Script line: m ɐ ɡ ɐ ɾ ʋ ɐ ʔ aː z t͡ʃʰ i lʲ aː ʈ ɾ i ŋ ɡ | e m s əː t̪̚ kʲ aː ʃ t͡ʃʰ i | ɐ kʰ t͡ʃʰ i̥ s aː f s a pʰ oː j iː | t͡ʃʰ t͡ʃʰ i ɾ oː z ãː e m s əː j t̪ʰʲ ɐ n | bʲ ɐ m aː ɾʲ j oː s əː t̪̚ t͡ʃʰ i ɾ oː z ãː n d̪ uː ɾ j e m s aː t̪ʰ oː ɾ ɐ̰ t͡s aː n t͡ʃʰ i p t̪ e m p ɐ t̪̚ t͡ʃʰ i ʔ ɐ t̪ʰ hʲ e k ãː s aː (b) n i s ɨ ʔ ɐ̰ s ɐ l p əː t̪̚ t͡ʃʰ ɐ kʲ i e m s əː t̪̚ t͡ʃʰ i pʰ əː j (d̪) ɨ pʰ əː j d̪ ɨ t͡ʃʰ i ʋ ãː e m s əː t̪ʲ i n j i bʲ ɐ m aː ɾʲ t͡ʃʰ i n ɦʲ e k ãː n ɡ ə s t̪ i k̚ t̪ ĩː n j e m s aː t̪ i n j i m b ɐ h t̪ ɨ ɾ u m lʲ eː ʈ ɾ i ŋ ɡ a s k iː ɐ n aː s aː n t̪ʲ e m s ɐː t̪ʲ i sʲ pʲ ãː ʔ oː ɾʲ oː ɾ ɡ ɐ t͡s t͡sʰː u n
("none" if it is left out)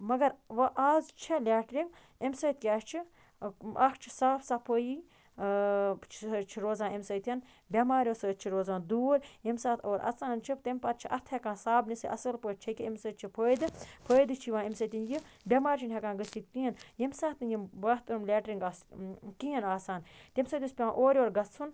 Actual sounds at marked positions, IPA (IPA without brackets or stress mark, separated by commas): b, d̪